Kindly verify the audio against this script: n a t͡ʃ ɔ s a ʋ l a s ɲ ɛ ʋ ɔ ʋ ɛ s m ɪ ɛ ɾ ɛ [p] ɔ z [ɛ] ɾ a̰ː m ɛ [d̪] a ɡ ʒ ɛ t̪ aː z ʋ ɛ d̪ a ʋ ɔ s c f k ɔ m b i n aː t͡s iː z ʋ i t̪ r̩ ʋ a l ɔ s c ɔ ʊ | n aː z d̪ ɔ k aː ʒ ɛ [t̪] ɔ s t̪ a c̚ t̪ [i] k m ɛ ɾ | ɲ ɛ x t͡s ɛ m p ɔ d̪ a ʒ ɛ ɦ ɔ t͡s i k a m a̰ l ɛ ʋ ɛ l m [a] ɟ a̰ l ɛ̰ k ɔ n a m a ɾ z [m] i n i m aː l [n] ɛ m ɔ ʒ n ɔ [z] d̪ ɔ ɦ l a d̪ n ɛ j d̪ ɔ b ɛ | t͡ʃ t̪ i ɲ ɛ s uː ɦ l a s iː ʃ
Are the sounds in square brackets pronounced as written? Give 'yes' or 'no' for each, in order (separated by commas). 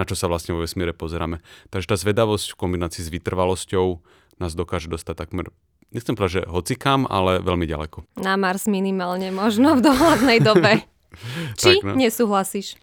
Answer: yes, yes, no, no, no, no, yes, no, no